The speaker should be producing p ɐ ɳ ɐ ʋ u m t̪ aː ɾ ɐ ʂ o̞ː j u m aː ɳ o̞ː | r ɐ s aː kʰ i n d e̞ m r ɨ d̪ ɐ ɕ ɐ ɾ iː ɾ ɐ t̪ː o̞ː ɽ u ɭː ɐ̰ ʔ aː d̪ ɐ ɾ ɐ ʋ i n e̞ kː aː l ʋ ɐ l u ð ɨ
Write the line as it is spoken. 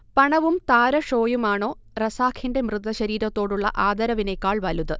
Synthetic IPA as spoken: p ɐ ɳ ɐ ʋ u m t̪ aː ɾ ɐ ʂ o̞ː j u m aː ɳ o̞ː | r ɐ s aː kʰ i n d e̞ m r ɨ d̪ ɐ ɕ ɐ ɾ iː ɾ ɐ t̪ː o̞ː ɽ u ɭː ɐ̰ ʔ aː d̪ ɐ ɾ ɐ ʋ i n e̞ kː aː ɭ ʋ ɐ l u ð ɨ

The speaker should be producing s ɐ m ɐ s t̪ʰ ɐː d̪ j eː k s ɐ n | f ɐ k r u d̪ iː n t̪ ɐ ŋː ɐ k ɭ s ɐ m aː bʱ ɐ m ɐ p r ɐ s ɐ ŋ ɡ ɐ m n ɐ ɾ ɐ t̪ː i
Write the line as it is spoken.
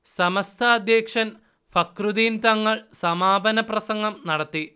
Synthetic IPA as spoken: s ɐ m ɐ s t̪ʰ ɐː d̪ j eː k ʂ ɐ n | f ɐ k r u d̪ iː n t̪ ɐ ŋː ɐ ɭ s ɐ m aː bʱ ɐ n ɐ p r ɐ s ɐ ŋ ɡ ɐ m n ɐ ɽ ɐ t̪ː i

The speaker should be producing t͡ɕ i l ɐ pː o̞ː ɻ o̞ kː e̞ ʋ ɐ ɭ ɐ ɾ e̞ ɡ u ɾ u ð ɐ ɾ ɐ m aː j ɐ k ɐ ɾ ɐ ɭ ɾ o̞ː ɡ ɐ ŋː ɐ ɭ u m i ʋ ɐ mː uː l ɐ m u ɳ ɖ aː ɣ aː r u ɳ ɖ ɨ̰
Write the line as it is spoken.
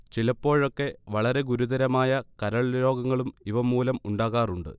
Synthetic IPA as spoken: t͡ɕ i l ɐ pː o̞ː ɻ o̞ kː e̞ ʋ ɐ ɭ ɐ ɾ e̞ ɡ u ɾ u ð ɐ ɾ ɐ m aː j ɐ k ɐ ɾ ɐ ɭ ɾ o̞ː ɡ ɐ ŋː ɐ ɭ u m i ʋ ɐ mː uː l ɐ m u ɳ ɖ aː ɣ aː r u ɳ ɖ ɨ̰

